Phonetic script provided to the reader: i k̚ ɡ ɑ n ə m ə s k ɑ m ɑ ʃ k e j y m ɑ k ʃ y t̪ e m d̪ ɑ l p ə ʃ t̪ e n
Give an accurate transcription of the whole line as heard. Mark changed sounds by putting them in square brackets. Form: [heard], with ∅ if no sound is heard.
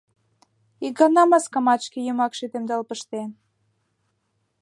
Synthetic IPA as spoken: i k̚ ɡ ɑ n [ɑ] m [ɑ] s k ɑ m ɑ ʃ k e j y m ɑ k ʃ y t̪ e m d̪ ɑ l p ə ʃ t̪ e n